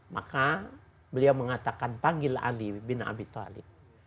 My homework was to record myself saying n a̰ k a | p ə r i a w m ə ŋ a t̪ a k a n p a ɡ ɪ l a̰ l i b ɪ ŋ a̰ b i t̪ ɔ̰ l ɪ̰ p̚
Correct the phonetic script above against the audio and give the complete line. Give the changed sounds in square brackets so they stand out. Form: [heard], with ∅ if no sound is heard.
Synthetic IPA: [m] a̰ k a | [b] ə [l] i a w m ə ŋ a t̪ a k a n p a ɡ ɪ l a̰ l i b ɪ [n] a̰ b i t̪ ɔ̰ l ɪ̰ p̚

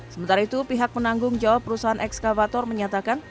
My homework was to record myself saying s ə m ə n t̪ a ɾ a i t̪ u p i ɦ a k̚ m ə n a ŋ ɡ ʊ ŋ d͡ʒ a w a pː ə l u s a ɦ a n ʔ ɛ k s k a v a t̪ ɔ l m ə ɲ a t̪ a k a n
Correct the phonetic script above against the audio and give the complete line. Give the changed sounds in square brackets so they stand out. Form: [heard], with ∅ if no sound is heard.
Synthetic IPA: s ə m ə n t̪ a ɾ a i t̪ u p i ɦ a k̚ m ə n a ŋ ɡ ʊ ŋ d͡ʒ a w a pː ə [ɾ] u s a ɦ a n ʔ ɛ k s k a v a t̪ ɔ [r] m ə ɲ a t̪ a k a n

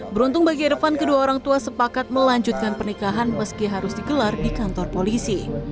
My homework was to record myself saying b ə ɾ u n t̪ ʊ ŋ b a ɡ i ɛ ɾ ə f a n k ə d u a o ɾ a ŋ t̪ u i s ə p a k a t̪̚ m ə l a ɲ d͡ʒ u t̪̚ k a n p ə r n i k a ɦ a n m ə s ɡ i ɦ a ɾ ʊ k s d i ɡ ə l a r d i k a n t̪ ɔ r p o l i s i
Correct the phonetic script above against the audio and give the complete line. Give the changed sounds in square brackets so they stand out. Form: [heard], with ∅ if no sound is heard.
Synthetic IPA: b ə ɾ u n t̪ ʊ ŋ b a ɡ i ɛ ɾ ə f a n k ə d u a o ɾ a ŋ t̪ u [a] s ə p a k a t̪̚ m ə l a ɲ d͡ʒ u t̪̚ k a n p ə r n i k a ɦ a n m ə s [k] i ɦ a ɾ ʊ [∅] s d i ɡ ə l a r d i k a n t̪ ɔ r p o l i s i

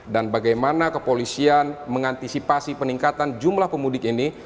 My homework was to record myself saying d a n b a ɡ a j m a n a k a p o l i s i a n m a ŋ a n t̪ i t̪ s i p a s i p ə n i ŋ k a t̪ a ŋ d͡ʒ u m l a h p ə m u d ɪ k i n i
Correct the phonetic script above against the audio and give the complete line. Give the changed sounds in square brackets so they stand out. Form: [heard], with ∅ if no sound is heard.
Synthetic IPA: d a n b a ɡ a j m a n a k [ə] p o l i s i a n m [ə] ŋ a n t̪ i [∅] s i p a s i p ə n i ŋ k a t̪ a [n] d͡ʒ u m l a h p ə m u d ɪ k i n i

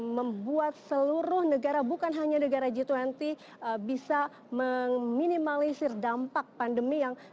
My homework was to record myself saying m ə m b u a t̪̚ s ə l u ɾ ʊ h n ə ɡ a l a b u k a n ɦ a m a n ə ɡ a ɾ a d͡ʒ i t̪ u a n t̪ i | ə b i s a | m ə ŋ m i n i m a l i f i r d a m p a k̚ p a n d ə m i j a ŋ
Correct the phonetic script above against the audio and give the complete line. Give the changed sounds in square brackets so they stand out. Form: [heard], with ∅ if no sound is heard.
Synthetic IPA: m ə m b u a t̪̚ s ə l u ɾ ʊ h n ə ɡ a [ɾ] a b u k a n ɦ a [ɲ] a n ə ɡ a ɾ a d͡ʒ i t̪ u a n t̪ i | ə b i s a | m ə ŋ m i n i m a l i [s] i r d a m p a k̚ p a n d ə m i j a ŋ

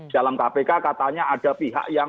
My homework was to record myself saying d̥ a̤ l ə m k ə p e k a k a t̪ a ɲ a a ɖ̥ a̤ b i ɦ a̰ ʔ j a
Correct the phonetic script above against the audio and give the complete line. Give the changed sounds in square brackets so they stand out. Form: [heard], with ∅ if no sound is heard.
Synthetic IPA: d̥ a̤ l [a] m k [a] p e k a k a t̪ a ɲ a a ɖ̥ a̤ [p] i ɦ a̰ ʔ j a

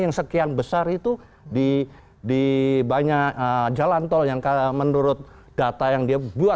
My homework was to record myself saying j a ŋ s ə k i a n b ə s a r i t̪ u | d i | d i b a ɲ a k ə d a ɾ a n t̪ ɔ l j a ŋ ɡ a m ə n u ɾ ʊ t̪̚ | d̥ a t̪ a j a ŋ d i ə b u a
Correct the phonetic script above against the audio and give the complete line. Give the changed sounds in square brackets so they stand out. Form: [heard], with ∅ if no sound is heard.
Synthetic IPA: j a ŋ s ə k i a n b ə s a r i t̪ u | d i | d i b a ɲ a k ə [d͡ʒ] a [l] a n t̪ ɔ l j a ŋ [k] a m ə n u ɾ ʊ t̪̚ | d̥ a t̪ a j a ŋ d i [a] b u a

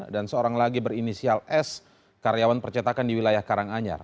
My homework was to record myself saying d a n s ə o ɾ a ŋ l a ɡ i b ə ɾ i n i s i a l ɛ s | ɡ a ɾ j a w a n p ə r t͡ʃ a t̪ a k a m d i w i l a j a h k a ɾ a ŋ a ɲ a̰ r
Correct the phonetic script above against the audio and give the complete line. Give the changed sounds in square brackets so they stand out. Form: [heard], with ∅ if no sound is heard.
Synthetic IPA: d a n s ə o ɾ a ŋ l a ɡ i b ə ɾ i n i s i a l ɛ s | [k] a ɾ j a w a n p ə r t͡ʃ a t̪ a k a [n] d i w i l a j a h k a ɾ a ŋ a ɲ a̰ r

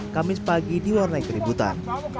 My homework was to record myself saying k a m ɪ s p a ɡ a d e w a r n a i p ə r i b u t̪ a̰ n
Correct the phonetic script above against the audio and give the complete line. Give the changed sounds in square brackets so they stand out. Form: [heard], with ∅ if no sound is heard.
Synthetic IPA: k a m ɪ s p a ɡ [i] d [i] w a r n a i [k] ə [ɾ] i b u t̪ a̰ n

